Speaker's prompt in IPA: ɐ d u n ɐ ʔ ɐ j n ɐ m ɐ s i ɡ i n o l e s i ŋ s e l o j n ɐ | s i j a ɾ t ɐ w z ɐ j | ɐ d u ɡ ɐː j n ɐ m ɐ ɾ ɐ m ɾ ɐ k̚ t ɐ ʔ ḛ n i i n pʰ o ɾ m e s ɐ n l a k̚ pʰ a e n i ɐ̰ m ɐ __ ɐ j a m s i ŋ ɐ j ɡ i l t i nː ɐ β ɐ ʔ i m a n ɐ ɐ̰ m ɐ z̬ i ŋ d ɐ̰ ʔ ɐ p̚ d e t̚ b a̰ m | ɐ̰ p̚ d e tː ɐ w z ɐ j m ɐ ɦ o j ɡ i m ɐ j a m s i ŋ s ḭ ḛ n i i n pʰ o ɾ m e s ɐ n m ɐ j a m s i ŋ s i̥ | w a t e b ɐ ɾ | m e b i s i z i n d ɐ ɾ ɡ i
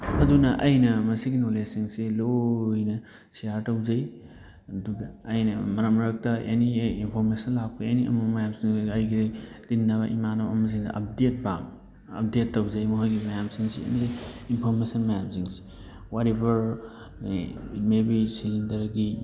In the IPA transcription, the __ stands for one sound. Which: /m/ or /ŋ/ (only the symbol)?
m